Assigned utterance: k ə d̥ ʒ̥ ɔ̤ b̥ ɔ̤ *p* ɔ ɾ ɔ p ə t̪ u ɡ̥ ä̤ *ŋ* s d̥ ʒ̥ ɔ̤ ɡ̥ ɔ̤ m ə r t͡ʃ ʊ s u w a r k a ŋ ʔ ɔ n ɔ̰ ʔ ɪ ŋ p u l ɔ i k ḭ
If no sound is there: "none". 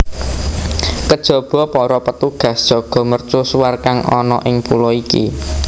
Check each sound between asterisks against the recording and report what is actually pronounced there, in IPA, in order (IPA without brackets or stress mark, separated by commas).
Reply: p, none